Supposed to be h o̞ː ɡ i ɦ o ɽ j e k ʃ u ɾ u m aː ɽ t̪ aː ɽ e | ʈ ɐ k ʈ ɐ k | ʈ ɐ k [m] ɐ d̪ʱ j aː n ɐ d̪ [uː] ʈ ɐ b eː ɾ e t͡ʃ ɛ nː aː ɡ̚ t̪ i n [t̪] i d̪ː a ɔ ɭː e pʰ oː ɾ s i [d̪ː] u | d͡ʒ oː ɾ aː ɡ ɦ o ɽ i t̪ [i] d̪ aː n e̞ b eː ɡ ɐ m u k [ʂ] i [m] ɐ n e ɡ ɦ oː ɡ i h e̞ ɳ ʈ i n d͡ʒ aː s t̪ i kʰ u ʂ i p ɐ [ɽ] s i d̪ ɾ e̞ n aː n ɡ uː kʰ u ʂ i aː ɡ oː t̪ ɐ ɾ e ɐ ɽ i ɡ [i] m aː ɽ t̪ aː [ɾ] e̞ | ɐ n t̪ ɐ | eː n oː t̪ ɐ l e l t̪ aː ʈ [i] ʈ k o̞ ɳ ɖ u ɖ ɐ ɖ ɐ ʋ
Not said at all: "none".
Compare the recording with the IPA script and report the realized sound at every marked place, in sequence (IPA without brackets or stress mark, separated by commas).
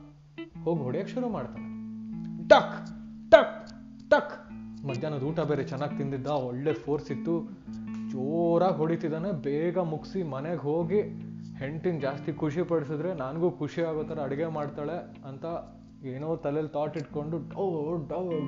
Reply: m, uː, d̪, t̪ː, i, s, m, ɽ, e, ɭ, i